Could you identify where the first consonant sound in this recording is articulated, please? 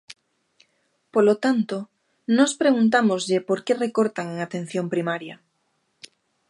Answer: labial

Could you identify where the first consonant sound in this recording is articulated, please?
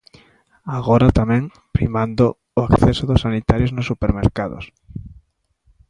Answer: velar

